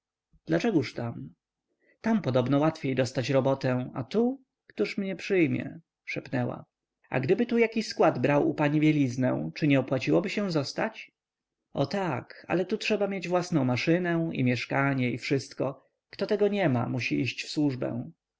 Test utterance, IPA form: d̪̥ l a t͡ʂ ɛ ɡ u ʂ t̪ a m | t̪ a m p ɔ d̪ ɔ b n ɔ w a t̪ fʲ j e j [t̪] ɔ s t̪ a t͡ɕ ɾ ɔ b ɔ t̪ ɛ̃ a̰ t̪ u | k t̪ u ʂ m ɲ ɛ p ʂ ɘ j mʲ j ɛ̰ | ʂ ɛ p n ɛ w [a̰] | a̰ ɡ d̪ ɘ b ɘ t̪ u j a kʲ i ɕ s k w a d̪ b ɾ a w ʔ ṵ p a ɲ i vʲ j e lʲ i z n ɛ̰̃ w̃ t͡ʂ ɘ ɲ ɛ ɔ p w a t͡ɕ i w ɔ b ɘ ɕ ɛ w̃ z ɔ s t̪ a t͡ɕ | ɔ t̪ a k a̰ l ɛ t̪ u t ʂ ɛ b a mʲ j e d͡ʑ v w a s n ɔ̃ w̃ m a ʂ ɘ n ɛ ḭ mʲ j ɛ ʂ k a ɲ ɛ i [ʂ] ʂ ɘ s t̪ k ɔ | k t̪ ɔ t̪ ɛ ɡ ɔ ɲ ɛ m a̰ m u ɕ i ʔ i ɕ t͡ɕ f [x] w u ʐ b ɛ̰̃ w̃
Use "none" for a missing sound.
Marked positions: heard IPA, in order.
d̪, a̰, f, s

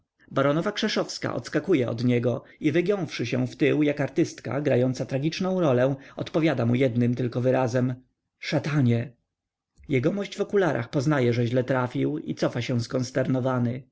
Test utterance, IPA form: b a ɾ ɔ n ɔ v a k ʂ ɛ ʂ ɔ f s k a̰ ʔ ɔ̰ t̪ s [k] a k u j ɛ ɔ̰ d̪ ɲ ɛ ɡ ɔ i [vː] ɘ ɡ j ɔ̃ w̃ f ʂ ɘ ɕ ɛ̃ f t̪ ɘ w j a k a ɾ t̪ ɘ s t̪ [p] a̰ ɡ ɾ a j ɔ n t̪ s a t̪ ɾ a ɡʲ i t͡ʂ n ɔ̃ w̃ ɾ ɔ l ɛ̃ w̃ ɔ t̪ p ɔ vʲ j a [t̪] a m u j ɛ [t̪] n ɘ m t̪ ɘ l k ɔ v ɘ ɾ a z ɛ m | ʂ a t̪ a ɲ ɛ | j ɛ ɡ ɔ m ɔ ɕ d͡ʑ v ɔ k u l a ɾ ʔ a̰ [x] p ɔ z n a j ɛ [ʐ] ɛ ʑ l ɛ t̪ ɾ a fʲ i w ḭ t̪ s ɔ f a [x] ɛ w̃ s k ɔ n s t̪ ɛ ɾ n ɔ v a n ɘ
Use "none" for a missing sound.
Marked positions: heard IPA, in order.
k, v, k, d̪, d̪, x, ʐ, ɕ

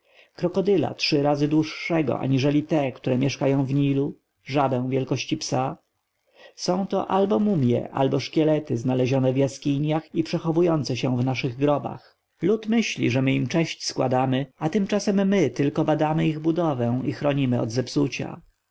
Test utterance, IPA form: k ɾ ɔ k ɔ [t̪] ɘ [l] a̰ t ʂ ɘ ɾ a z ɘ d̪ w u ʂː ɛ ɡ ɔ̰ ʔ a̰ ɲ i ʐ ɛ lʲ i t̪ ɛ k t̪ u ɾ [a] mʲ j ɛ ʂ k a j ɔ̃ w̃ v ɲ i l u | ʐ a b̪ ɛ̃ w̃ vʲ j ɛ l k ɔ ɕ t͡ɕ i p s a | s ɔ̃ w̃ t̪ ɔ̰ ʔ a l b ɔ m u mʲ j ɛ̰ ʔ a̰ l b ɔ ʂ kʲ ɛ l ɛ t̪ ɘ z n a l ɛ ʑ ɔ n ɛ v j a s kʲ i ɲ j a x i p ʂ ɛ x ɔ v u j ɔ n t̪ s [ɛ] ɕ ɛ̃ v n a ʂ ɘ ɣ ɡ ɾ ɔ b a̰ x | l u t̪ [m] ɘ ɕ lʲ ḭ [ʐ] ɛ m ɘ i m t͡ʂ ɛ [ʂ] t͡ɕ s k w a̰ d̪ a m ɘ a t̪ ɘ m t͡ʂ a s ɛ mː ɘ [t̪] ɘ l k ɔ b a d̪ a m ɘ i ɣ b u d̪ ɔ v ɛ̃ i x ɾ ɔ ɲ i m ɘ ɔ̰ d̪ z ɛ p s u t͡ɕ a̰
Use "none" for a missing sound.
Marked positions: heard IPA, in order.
d̪, l, ɛ, ɛ, m, ʐ, ɕ, t̪

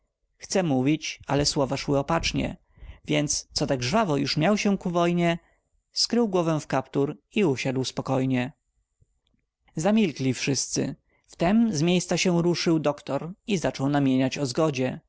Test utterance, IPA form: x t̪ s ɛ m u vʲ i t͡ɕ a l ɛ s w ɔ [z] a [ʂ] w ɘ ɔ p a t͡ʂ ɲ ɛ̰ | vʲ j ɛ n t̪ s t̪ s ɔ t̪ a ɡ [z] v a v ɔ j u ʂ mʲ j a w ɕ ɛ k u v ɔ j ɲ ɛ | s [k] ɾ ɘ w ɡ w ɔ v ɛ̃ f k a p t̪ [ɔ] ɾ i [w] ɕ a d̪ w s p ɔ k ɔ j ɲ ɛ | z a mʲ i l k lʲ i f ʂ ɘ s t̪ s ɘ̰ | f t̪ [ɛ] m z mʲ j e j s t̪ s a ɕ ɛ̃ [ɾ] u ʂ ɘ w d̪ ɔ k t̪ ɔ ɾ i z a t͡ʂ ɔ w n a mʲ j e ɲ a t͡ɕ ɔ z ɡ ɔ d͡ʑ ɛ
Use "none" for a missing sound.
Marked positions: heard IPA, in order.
v, ʂ, ʐ, k, u, u, ɛ, ɾ

